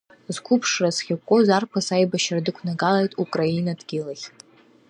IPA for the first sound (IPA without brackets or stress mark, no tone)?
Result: z